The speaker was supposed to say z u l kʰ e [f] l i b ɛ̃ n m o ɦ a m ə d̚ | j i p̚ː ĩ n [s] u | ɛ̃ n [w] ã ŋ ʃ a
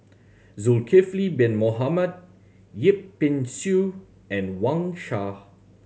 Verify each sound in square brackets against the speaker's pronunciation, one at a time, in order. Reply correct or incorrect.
correct, correct, correct

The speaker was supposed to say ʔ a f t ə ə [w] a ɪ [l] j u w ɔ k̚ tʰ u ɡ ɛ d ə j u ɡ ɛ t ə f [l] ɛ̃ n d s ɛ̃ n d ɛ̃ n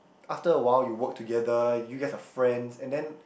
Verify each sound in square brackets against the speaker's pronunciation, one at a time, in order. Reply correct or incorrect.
correct, correct, incorrect: ɹ

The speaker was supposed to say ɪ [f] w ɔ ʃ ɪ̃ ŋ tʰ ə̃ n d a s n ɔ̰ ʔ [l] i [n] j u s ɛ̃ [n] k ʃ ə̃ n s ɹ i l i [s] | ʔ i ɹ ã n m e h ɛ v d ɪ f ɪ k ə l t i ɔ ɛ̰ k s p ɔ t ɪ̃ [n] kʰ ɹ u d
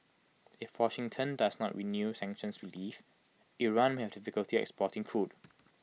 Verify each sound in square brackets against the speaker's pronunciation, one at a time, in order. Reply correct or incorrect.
correct, incorrect: ɹ, correct, incorrect: ŋ, incorrect: f, incorrect: ŋ

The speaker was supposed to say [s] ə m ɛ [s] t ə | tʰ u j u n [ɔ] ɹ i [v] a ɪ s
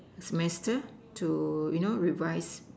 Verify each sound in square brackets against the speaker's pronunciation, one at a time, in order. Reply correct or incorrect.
correct, correct, incorrect: o, correct

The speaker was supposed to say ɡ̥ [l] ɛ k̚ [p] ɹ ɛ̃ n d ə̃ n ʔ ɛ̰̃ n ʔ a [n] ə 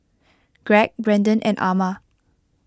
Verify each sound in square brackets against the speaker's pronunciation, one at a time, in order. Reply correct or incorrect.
incorrect: ɹ, incorrect: b, incorrect: m

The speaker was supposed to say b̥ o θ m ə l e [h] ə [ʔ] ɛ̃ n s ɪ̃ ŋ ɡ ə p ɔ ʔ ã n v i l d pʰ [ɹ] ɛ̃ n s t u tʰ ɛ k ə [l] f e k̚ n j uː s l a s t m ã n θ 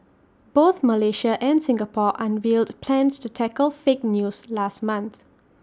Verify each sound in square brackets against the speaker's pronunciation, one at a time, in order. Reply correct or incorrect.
incorrect: ʃ, correct, incorrect: l, correct

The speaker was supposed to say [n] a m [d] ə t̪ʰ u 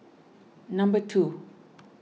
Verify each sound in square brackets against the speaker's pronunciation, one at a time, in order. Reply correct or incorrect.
correct, incorrect: b

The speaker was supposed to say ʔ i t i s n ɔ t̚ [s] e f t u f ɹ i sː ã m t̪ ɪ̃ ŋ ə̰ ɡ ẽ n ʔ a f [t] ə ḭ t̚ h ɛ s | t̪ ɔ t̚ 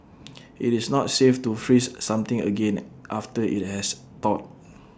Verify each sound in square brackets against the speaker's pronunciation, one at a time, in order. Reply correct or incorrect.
correct, correct

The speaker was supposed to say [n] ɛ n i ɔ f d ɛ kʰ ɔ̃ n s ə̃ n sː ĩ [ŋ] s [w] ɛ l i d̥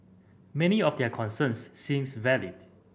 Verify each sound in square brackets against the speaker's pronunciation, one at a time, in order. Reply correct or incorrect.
incorrect: m, incorrect: m, incorrect: v

